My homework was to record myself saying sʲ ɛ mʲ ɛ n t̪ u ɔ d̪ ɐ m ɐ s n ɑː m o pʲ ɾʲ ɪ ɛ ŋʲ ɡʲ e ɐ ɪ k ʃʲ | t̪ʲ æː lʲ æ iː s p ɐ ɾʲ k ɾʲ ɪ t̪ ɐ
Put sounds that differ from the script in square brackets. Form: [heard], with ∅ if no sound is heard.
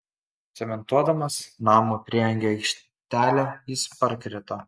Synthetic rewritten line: sʲ ɛ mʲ ɛ n t̪ u ɔ d̪ ɐ m ɐ s n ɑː m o pʲ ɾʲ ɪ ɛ ŋʲ ɡʲ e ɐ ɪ k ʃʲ | t̪ʲ æː lʲ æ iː s p ɐ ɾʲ k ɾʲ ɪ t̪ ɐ